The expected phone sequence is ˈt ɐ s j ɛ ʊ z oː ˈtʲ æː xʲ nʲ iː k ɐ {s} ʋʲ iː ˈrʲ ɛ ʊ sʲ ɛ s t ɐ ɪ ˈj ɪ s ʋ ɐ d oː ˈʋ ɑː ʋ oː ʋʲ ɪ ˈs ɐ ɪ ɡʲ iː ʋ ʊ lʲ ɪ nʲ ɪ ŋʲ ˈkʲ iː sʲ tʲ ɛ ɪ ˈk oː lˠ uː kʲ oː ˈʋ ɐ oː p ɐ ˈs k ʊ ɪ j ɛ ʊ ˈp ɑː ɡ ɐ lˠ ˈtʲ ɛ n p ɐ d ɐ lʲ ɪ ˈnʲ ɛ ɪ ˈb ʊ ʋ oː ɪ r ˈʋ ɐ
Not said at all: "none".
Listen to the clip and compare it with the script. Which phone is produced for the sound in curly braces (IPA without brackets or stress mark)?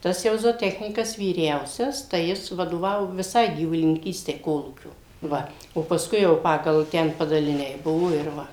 s